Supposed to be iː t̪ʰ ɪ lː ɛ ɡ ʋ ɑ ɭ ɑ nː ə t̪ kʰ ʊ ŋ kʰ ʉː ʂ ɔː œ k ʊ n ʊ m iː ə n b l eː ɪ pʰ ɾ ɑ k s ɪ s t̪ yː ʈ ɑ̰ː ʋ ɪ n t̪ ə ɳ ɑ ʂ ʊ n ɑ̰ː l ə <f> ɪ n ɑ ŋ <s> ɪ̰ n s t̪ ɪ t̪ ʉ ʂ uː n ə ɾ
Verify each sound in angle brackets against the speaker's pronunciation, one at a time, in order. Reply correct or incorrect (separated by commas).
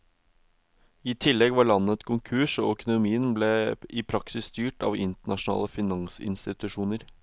correct, correct